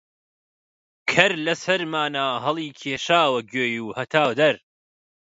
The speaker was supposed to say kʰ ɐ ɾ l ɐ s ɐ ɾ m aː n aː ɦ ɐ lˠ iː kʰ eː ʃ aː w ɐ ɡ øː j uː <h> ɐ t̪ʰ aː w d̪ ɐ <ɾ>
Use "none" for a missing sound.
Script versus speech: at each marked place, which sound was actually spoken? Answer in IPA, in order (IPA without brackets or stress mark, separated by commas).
h, ɾ